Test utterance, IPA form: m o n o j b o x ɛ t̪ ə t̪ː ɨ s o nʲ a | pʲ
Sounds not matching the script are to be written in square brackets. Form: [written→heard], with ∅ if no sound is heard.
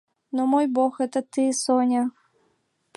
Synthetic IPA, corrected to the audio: [m→n] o [n→m] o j b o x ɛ t̪ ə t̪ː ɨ s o nʲ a | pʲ